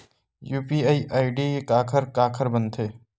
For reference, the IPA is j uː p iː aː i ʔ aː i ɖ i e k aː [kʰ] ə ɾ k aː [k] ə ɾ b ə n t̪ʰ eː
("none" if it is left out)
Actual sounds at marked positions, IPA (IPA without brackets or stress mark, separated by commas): kʰ, kʰ